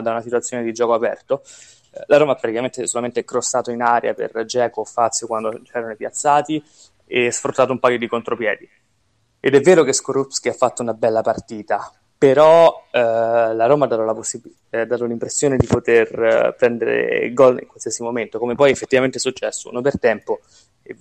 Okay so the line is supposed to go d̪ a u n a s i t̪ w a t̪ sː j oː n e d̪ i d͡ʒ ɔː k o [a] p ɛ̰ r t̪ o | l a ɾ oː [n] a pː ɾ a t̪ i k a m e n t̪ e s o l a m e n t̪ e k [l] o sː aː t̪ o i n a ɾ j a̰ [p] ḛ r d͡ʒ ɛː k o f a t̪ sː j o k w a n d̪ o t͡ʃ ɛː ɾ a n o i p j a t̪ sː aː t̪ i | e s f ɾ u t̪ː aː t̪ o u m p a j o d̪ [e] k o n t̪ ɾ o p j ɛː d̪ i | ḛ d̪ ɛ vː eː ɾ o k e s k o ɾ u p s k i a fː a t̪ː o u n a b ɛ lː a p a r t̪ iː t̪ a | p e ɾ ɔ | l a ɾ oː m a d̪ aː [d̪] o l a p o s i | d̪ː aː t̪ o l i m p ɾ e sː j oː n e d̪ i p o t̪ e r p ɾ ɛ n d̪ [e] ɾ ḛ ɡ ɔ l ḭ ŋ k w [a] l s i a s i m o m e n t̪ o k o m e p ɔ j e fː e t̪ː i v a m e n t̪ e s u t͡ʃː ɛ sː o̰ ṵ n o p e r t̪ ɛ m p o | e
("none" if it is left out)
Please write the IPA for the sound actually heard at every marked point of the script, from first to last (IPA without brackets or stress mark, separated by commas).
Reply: a, m, ɾ, p, i, t̪, e, a